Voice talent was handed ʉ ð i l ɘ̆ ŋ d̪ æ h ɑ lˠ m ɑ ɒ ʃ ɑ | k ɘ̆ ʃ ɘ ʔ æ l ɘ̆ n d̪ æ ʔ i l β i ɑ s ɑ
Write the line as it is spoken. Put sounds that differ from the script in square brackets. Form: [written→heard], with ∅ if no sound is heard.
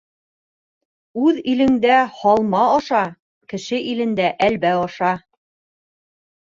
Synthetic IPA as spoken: ʉ ð i l ɘ̆ ŋ d̪ æ h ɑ lˠ m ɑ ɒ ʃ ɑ | k ɘ̆ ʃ ɘ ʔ [æ→i] l ɘ̆ n d̪ æ ʔ [i→æ] l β [i→æ] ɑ [s→ʃ] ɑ